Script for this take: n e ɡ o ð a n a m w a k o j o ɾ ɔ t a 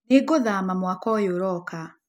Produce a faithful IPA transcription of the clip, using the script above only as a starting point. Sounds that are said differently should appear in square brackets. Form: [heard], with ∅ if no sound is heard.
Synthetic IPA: n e ɡ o ð a [m] a m w a k [ɔ] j o ɾ ɔ [k] a